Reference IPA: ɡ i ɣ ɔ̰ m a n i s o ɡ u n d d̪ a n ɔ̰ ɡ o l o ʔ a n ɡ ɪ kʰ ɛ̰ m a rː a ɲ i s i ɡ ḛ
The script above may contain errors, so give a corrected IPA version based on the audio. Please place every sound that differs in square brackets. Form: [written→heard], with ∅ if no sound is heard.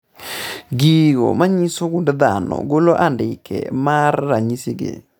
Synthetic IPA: ɡ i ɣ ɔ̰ m a [n→ɲ] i s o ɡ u n d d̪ a n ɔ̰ ɡ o l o ʔ a n [ɡ→d] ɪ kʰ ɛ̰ m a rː a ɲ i s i ɡ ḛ